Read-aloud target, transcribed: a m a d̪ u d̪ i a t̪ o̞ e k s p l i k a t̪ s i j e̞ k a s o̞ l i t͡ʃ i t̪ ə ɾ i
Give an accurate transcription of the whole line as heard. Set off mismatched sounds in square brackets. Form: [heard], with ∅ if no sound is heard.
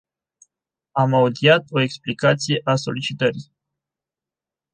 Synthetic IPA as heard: a m a [∅] u d̪ i a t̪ o̞ e k s p l i k a t̪ s i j e̞ [ʔ] a s o̞ l i t͡ʃ i t̪ ə ɾ i